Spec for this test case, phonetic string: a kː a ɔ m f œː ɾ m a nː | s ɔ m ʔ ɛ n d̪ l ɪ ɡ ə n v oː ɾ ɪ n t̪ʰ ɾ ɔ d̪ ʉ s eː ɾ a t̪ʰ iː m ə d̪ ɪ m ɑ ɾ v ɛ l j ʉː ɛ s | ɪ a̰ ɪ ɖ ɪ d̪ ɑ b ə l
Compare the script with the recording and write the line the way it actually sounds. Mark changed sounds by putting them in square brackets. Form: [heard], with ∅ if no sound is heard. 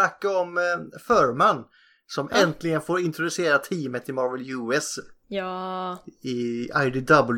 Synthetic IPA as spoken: a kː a ɔ m f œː ɾ m a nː | s ɔ m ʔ ɛ n [t̪] l ɪ ɡ ə n [f] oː ɾ ɪ n [t̪] ɾ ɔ d̪ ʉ s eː ɾ a t̪ʰ iː m ə [t̪] ɪ m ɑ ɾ v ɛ l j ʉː ɛ s | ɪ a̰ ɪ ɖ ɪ d̪ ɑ b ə l